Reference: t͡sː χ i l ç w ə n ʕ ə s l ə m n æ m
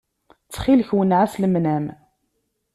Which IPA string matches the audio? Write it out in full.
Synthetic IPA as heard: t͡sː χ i l ç w ə n ʕ a s l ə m n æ m